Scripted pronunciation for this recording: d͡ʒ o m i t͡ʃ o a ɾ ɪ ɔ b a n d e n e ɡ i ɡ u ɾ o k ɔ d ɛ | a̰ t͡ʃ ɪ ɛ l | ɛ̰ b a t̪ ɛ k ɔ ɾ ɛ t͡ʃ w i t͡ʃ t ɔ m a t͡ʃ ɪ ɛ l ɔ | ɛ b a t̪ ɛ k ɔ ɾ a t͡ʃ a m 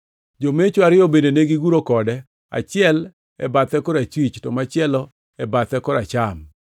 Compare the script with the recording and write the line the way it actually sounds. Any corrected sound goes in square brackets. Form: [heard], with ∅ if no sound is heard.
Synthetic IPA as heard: d͡ʒ o m [e] t͡ʃ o a ɾ ɪ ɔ b [e] n d e n e ɡ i ɡ u ɾ o k ɔ d ɛ | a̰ t͡ʃ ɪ ɛ l | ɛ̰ b a t̪ ɛ k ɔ ɾ [a] t͡ʃ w i t͡ʃ t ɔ m a t͡ʃ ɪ ɛ l ɔ | ɛ b a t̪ ɛ k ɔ ɾ a t͡ʃ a m